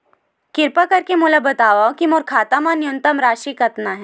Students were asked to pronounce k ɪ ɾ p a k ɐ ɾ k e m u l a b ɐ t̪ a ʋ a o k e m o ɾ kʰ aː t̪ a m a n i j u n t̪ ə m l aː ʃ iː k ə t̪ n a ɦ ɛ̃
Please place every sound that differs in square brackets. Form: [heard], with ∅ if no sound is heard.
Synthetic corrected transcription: k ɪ ɾ p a k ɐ ɾ k e m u l a b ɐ t̪ a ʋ a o k [i] m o ɾ kʰ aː t̪ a m a n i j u n t̪ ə m [ɾ] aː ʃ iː k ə t̪ n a ɦ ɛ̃